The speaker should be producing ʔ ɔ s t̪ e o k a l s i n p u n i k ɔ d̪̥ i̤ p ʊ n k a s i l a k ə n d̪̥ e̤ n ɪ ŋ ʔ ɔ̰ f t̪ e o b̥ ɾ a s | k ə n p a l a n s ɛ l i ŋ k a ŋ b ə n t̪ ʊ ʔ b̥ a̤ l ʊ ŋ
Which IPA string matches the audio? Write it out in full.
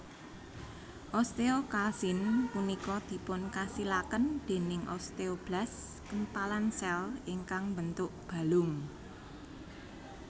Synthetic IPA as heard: ʔ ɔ s t̪ e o k a l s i n p u n i k ɔ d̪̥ i̤ p ʊ n k a s i l a k ə n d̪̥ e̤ n ɪ ŋ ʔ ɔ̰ s t̪ e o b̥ l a s | k ə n p a l a n s ɛ l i ŋ k a ŋ b ə n t̪ ʊ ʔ b̥ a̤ l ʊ ŋ